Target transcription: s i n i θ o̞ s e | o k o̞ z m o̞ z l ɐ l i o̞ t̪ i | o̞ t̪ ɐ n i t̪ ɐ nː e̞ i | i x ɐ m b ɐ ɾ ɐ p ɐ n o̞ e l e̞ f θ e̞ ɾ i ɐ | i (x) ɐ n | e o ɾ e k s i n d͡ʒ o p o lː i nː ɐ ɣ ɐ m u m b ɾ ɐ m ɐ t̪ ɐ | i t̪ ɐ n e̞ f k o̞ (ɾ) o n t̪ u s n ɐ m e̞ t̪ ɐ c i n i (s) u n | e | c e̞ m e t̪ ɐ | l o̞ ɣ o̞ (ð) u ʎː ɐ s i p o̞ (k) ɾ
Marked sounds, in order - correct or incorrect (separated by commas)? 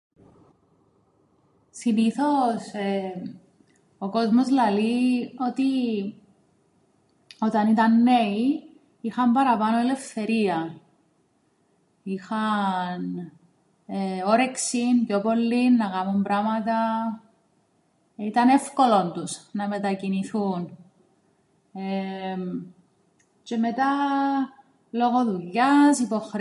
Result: correct, incorrect, incorrect, correct, incorrect